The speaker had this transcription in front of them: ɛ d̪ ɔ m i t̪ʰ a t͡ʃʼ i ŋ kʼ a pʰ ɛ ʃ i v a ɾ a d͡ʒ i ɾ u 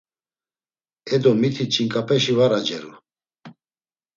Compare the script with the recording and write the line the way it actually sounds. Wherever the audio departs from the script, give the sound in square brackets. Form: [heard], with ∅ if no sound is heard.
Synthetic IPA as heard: ɛ d̪ ɔ m i t̪ʰ [i] t͡ʃʼ i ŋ kʼ a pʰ ɛ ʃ i v a ɾ a d͡ʒ [ɛ] ɾ u